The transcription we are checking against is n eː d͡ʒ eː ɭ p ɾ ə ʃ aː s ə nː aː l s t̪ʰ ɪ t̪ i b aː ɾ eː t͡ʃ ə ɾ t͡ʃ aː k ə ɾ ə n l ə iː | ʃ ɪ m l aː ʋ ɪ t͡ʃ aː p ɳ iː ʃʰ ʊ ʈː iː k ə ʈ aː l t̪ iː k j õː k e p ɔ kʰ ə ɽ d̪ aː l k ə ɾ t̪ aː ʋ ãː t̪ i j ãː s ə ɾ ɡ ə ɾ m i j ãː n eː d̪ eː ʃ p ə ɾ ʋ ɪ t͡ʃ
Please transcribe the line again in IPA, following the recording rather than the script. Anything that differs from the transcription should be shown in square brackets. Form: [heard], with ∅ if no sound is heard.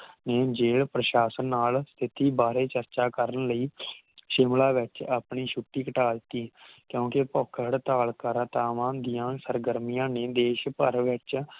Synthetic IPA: n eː d͡ʒ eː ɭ p ɾ ə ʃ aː s ə nː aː l s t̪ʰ ɪ t̪ [iː] b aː ɾ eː t͡ʃ ə ɾ t͡ʃ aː k ə ɾ ə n l ə iː | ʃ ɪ m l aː ʋ ɪ t͡ʃ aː p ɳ iː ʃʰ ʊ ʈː iː k ə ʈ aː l t̪ iː k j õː k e p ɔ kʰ ə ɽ [t̪] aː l k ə ɾ t̪ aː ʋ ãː [d̪] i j ãː s ə ɾ ɡ ə ɾ m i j ãː n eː d̪ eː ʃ p ə ɾ ʋ ɪ t͡ʃ